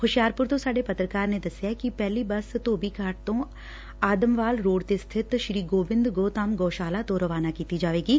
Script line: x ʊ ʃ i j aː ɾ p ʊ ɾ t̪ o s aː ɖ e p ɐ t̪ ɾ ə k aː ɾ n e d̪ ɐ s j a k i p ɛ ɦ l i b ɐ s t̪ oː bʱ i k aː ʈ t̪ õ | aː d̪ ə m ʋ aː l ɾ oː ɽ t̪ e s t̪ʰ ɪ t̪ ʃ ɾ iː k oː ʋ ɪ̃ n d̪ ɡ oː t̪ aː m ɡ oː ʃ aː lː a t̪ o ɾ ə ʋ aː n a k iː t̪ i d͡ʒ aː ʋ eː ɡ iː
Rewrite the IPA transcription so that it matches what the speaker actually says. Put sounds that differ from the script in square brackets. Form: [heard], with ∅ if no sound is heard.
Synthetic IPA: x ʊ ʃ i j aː ɾ p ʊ ɾ t̪ o s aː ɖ e p ɐ t̪ ɾ ə k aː ɾ n e d̪ ɐ s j a k i p ɛ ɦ l i b ɐ s t̪ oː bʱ i k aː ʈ t̪ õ | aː d̪ ə m ʋ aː l ɾ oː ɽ t̪ e s t̪ʰ ɪ t̪ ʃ ɾ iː [ɡ] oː ʋ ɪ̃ n d̪ ɡ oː t̪ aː m ɡ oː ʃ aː [l] a t̪ o ɾ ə ʋ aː n a k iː t̪ i d͡ʒ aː ʋ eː ɡ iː